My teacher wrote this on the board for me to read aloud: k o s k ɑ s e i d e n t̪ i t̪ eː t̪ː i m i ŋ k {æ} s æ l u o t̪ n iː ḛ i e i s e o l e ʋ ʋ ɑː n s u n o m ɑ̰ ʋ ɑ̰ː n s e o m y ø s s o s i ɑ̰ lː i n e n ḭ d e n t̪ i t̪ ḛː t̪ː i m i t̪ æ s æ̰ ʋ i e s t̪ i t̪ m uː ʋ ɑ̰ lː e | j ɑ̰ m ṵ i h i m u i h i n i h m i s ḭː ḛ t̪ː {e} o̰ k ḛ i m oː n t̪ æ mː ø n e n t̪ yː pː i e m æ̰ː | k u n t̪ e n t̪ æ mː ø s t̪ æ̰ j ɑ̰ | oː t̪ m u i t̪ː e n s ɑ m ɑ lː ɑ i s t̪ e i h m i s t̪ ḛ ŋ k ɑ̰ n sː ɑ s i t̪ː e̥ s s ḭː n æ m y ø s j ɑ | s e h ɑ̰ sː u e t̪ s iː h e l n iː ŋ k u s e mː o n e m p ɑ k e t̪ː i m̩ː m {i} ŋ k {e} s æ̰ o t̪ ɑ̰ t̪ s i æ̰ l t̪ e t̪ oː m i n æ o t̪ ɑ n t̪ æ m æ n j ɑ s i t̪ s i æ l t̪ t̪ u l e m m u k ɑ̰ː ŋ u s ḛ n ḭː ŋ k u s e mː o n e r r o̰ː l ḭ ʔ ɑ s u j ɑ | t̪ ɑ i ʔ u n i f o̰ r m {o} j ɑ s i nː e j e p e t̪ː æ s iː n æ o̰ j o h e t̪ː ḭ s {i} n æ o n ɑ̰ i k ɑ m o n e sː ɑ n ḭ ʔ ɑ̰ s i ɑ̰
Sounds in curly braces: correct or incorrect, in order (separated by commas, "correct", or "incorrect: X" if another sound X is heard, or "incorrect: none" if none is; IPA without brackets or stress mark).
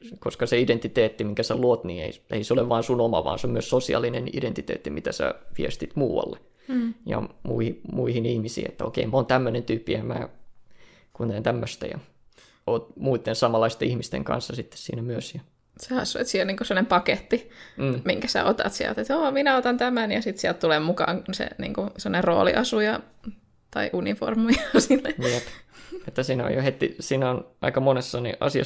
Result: correct, incorrect: æ, correct, incorrect: æ, incorrect: u, incorrect: iː